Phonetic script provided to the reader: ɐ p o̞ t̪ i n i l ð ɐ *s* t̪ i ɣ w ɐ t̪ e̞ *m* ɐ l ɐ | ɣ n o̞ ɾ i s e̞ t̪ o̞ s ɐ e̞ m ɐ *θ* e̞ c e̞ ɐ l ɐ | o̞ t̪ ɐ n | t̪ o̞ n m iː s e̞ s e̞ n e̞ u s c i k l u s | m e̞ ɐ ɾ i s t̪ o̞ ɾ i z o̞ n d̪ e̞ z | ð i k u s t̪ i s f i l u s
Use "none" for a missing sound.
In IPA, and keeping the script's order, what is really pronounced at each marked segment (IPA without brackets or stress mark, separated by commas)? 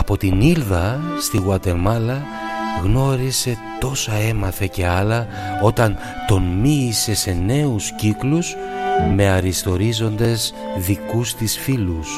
s, m, θ